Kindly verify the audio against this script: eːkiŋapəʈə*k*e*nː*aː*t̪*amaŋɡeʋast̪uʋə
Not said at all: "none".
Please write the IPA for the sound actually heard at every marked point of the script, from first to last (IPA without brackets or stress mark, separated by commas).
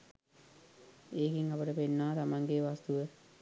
p, nː, t̪